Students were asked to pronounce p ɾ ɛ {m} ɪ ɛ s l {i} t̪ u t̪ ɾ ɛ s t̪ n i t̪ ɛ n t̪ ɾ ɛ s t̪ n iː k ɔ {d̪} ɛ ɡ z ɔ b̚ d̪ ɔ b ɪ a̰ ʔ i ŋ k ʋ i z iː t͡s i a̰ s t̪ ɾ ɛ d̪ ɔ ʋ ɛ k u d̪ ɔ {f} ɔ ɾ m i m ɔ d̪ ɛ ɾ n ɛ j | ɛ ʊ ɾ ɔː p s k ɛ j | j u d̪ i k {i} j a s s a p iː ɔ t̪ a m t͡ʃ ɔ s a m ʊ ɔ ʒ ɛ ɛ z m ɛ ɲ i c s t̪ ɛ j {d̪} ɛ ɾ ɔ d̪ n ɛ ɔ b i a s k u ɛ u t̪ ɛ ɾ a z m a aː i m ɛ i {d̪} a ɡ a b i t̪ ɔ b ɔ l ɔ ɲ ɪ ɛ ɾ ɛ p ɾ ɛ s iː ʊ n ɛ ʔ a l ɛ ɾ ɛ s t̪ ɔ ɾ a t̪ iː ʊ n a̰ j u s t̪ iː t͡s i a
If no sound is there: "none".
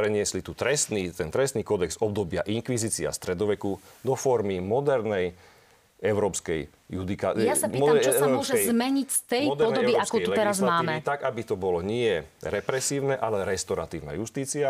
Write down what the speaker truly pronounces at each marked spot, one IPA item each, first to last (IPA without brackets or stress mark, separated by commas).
ɲ, i, d̪, f, a, d̪, t̪